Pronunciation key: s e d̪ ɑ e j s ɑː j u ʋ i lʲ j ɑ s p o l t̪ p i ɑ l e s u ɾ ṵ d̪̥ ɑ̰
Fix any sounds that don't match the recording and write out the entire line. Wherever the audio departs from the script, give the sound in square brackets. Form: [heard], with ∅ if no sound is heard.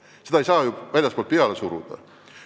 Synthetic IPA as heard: s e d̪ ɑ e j s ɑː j u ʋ [æ] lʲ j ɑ s p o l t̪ p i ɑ l e s u ɾ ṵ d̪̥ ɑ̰